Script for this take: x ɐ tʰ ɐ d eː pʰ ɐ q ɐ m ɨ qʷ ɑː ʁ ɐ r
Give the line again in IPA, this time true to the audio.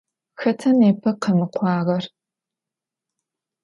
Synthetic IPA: x ɐ tʰ ɐ n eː pʰ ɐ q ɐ m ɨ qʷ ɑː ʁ ɐ r